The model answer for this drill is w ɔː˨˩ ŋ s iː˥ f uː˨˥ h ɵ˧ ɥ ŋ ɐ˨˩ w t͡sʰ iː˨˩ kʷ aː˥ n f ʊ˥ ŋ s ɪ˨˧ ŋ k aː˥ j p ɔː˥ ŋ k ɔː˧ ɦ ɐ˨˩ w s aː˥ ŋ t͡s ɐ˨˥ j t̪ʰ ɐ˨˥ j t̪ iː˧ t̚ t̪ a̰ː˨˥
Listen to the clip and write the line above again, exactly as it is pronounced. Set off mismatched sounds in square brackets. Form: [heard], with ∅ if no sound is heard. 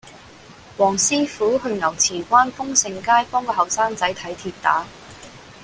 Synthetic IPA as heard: w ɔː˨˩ ŋ s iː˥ f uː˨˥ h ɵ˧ ɥ ŋ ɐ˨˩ w t͡sʰ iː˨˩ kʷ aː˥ n f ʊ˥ ŋ s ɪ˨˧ ŋ k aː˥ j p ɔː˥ ŋ k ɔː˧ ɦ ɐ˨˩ w s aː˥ ŋ t͡s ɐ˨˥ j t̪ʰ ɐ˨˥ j [t̪ʰ] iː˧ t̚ t̪ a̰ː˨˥

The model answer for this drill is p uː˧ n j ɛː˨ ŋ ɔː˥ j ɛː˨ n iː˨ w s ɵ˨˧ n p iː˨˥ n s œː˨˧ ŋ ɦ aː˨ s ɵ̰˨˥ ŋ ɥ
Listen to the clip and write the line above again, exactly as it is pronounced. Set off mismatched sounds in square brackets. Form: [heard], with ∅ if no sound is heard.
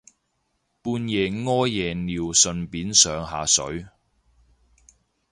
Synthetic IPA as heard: p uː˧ n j ɛː˨ ŋ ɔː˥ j ɛː˨ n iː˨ w s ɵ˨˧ n p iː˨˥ n s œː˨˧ ŋ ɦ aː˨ s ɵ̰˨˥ [∅] ɥ

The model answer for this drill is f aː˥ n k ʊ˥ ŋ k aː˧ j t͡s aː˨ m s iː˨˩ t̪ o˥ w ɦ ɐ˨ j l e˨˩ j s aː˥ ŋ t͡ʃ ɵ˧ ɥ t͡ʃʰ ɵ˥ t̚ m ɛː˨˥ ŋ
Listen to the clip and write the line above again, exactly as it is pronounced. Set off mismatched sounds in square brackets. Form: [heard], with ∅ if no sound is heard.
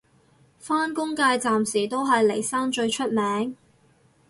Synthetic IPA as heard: f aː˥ n k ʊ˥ ŋ k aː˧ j t͡s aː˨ m s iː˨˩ t̪ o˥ w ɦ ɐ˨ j l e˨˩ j s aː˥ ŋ t͡ʃ ɵ˧ ɥ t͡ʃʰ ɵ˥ t̚ m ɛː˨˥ ŋ

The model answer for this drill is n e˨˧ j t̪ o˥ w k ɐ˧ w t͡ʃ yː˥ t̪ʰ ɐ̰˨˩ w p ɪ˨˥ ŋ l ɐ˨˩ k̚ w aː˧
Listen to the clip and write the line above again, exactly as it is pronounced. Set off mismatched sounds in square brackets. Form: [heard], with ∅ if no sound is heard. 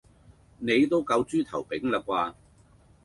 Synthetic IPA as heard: n e˨˧ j t̪ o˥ w k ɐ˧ w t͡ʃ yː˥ t̪ʰ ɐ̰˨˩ w p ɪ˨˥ ŋ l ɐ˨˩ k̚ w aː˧

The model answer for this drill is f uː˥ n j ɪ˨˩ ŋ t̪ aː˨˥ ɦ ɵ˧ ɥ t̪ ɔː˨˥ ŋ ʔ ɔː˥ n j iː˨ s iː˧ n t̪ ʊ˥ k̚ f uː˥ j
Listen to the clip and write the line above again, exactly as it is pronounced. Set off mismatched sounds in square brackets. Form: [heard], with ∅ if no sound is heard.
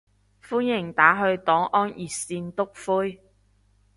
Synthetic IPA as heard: f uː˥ n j ɪ˨˩ ŋ t̪ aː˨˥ ɦ ɵ˧ ɥ t̪ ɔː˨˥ ŋ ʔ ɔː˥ n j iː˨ s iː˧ n t̪ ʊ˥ k̚ f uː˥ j

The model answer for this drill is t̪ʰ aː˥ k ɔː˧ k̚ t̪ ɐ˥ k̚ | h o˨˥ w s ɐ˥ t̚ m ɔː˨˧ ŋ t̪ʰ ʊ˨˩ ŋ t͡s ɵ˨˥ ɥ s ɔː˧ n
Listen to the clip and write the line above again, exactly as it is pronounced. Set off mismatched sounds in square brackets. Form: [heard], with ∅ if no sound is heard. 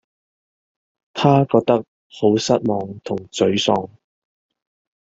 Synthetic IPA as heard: t̪ʰ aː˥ k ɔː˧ k̚ t̪ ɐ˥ k̚ | h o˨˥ w s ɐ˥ t̚ m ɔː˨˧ ŋ t̪ʰ ʊ˨˩ ŋ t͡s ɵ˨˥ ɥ s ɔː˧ [ŋ]

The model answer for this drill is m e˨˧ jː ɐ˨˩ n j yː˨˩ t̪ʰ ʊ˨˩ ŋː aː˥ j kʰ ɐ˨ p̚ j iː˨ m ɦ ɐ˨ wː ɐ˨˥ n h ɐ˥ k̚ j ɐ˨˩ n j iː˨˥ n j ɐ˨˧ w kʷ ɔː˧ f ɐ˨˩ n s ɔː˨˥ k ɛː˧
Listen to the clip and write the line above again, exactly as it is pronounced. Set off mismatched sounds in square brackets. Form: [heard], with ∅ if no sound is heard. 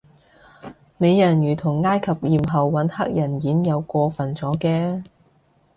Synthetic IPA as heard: m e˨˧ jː ɐ˨˩ n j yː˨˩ t̪ʰ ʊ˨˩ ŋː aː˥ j kʰ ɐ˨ p̚ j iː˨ m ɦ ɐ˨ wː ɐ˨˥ n h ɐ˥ k̚ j ɐ˨˩ n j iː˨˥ n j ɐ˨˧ w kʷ ɔː˧ f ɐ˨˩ n [t͡s] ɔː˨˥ k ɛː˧

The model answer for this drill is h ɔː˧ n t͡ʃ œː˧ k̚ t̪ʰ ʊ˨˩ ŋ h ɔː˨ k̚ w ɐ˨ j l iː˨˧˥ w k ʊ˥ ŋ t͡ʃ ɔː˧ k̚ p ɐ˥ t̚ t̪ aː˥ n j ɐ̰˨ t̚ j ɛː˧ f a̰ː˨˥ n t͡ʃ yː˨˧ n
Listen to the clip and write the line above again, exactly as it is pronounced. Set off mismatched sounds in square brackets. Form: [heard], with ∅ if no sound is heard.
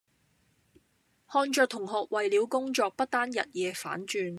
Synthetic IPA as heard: h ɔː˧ n t͡ʃ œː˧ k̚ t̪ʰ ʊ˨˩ ŋ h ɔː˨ k̚ w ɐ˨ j l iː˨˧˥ w k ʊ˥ ŋ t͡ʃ ɔː˧ k̚ p ɐ˥ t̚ t̪ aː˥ n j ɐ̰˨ t̚ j ɛː˧ f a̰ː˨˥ n t͡ʃ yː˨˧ n

